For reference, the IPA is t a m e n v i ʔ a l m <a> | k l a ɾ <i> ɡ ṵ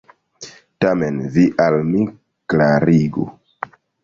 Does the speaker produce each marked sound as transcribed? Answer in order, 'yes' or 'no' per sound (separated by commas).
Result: no, yes